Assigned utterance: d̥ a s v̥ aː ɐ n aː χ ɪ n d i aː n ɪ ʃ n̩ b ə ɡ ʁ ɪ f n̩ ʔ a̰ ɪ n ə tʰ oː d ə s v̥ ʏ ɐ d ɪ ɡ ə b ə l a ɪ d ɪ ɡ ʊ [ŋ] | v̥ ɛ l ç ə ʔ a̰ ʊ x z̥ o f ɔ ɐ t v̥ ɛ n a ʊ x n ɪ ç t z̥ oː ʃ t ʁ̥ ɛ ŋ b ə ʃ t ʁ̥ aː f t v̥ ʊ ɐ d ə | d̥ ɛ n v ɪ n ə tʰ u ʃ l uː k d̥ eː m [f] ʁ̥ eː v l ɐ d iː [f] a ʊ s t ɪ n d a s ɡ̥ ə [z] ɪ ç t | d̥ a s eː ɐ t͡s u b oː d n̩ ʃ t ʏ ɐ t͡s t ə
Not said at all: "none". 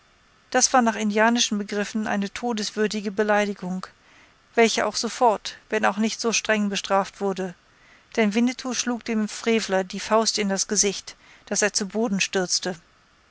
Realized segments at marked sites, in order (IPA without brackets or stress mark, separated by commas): ŋ, f, f, z